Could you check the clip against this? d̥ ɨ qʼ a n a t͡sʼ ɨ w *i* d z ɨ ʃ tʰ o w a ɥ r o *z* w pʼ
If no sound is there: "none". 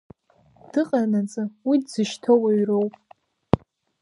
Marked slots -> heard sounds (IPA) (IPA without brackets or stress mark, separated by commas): i, none